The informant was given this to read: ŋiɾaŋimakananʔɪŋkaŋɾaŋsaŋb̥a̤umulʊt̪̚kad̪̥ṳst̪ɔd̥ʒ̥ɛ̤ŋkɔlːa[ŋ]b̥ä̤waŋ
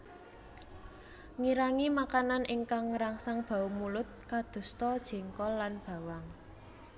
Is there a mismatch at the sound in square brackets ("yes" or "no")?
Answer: yes